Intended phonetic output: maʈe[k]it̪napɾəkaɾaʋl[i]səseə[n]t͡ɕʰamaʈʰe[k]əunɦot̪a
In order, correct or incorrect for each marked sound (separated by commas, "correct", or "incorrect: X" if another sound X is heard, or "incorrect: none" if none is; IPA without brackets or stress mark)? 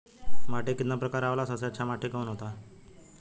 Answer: correct, incorrect: a, incorrect: none, correct